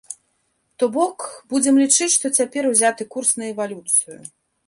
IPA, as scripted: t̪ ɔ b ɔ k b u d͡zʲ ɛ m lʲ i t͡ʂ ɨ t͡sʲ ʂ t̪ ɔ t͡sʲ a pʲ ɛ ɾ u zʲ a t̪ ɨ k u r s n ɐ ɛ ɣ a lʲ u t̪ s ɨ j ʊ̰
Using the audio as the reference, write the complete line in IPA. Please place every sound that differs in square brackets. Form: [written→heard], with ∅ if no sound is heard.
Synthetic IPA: t̪ ɔ b ɔ k b u d͡zʲ ɛ m lʲ i t͡ʂ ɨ t͡sʲ ʂ t̪ ɔ t͡sʲ a pʲ ɛ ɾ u zʲ a t̪ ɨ k u r s n ɐ ɛ [ɣ→v] a lʲ u t̪ s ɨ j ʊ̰